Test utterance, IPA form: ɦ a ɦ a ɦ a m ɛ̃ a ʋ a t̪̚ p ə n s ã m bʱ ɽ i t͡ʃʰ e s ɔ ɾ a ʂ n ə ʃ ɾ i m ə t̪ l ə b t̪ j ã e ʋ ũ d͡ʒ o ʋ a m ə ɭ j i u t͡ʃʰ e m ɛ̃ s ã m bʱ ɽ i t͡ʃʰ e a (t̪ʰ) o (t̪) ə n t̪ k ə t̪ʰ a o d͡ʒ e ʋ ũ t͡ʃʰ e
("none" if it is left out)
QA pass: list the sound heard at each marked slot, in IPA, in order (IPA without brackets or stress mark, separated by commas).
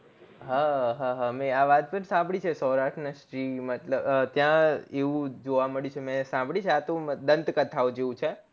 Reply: t̪, d̪